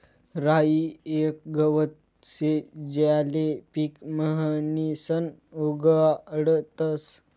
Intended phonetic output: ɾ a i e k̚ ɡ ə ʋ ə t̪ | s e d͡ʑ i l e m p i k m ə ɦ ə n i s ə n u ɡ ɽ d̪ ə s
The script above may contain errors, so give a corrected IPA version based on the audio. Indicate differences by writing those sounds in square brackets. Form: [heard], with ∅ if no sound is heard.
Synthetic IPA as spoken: ɾ a i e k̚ ɡ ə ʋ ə t̪ | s e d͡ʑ [a] l e [∅] p i k m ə ɦ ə n i s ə n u ɡ ɽ [t̪] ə s